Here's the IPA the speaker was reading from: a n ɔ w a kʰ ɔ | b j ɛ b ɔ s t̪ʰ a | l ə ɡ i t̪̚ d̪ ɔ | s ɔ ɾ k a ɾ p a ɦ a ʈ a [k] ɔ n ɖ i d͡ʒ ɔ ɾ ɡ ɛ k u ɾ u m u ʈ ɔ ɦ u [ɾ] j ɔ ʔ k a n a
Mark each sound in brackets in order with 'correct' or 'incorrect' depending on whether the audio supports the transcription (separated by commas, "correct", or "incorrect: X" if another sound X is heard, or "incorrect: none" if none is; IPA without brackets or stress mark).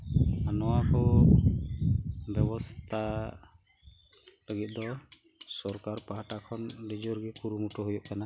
incorrect: kʰ, incorrect: none